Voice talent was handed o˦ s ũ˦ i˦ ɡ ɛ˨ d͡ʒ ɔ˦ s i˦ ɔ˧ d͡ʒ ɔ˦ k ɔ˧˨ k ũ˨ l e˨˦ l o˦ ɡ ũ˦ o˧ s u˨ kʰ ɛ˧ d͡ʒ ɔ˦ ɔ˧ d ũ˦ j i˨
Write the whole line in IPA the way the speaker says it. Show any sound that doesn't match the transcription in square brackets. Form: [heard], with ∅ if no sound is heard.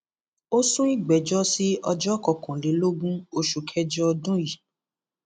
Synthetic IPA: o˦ s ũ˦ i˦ [ɡ͡b] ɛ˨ d͡ʒ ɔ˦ s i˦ ɔ˧ d͡ʒ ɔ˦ k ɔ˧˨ k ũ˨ l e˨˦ l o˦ ɡ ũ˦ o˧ [ʃ] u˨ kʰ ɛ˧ d͡ʒ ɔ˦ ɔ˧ d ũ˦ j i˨